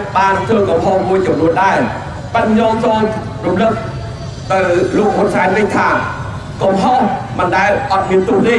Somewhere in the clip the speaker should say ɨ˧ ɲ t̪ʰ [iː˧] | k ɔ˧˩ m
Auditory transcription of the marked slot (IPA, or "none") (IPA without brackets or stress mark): aː˧